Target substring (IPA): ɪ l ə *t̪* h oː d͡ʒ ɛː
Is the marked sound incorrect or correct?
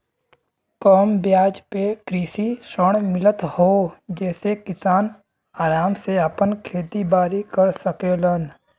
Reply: correct